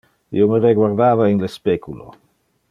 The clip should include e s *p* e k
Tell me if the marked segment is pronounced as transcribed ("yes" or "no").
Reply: yes